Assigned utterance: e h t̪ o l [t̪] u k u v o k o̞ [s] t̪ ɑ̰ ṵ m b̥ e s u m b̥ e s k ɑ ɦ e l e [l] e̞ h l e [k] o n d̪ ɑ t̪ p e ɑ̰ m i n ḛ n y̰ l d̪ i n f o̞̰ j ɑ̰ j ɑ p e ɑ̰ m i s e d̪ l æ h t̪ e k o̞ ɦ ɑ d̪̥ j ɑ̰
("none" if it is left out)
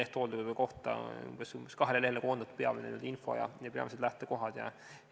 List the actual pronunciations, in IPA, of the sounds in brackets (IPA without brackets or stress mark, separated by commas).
d̪, h, l, k